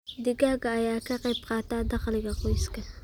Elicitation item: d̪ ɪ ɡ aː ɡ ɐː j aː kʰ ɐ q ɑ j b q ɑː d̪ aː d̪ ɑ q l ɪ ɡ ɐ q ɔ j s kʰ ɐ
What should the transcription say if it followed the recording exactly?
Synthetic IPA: d̪ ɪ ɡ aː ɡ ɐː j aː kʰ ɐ q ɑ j b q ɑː t̪ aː d̪ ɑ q l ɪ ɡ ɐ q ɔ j s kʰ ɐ